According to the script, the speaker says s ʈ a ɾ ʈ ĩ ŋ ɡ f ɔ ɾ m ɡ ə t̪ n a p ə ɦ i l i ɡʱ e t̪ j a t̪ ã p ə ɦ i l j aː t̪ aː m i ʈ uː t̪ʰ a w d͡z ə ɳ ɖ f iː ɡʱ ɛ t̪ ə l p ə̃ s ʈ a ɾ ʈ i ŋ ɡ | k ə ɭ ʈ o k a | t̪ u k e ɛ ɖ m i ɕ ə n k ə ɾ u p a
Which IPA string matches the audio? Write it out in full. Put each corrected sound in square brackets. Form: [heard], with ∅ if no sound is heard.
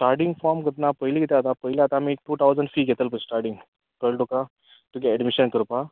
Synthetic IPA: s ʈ a ɾ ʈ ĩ ŋ ɡ f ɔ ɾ m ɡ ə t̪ n a p ə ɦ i l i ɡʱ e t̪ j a t̪ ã p ə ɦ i l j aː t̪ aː m i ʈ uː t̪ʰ a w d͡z ə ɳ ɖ f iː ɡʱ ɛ t̪ ə l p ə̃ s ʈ a ɾ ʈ i ŋ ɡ | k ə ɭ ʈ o k a | t̪ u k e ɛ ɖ m i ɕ ə n k ə ɾ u p a